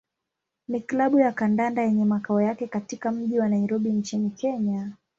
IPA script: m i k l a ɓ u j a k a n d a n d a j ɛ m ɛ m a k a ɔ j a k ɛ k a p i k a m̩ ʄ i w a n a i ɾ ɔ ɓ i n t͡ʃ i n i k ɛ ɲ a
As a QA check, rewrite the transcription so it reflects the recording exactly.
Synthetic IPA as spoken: m i k l a ɓ u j a k a n d a n d a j ɛ ɲ ɛ m a k a ɔ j a k ɛ k a t i k a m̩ ʄ i w a n a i ɾ ɔ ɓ i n t͡ʃ i n i k ɛ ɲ a